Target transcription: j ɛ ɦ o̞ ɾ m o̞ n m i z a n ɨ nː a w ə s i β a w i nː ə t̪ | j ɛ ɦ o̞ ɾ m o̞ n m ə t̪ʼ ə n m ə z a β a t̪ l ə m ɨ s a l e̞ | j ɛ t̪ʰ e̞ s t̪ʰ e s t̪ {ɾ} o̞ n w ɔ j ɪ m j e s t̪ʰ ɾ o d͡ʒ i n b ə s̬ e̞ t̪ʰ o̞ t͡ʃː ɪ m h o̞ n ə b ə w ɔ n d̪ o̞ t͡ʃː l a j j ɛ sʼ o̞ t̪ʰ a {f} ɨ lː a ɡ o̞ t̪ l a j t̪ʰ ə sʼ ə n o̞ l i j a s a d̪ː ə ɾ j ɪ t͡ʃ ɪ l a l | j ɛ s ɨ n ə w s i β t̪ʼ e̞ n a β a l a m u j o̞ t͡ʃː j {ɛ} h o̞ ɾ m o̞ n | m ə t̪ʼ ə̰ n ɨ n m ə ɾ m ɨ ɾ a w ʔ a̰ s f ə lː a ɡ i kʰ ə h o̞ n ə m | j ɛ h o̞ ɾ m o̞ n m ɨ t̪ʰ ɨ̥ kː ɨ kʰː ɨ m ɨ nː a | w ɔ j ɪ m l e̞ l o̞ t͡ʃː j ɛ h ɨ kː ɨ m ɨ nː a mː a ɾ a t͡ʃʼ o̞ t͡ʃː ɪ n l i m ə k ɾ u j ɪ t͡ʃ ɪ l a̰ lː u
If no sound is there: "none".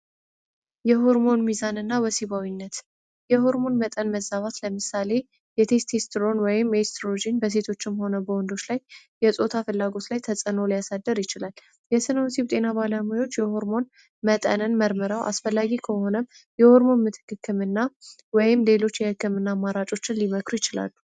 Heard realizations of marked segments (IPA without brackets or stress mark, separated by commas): ɾ, f, ɛ